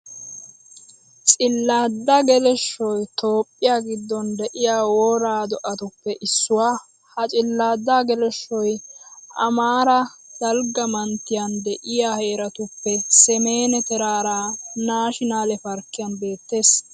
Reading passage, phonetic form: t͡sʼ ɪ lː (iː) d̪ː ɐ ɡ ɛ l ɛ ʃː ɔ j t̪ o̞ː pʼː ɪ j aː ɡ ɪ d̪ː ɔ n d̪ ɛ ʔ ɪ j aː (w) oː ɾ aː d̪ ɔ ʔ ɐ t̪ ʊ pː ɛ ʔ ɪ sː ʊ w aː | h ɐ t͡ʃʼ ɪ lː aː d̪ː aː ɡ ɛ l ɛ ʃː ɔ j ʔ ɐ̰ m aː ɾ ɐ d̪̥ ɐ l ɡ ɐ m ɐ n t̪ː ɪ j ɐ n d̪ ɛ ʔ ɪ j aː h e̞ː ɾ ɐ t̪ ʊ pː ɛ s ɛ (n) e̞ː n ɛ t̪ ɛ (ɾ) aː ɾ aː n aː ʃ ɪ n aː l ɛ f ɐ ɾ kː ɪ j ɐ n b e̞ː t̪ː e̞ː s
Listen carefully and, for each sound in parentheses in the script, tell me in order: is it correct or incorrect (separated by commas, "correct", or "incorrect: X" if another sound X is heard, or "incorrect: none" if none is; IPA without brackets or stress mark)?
incorrect: aː, correct, incorrect: m, correct